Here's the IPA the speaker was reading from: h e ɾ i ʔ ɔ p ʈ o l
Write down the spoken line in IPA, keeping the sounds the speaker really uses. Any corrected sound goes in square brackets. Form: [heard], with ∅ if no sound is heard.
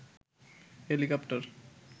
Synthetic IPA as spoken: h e [l] i [k] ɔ p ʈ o [ɾ]